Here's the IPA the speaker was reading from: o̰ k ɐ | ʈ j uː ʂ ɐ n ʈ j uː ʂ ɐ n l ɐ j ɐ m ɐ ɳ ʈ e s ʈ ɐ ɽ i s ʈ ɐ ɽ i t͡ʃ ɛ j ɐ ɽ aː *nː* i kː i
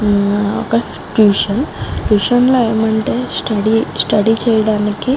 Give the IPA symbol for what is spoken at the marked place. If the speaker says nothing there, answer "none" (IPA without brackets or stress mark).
n